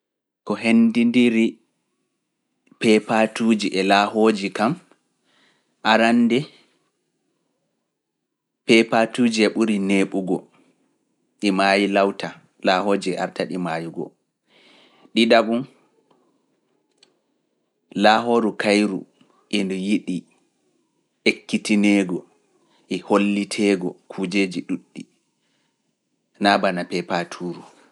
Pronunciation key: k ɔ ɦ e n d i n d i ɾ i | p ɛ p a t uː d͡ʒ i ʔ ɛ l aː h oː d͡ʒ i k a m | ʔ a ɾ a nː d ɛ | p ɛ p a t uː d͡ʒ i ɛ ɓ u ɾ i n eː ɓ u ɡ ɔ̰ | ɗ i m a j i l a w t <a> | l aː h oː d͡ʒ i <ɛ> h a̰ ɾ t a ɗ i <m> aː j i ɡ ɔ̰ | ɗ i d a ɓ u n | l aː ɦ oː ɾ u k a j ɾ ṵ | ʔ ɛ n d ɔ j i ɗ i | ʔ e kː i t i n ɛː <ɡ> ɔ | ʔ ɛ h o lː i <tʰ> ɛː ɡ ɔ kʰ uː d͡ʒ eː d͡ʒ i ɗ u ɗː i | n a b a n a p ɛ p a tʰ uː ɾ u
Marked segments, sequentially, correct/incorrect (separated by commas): correct, correct, correct, correct, correct